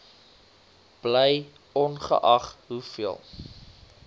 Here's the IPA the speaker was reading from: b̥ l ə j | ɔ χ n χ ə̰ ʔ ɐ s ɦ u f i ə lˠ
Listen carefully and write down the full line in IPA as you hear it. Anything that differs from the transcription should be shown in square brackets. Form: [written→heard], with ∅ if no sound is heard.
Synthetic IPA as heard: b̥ l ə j | ɔ [χ→∅] n χ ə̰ ʔ ɐ [s→χ] ɦ u f i ə lˠ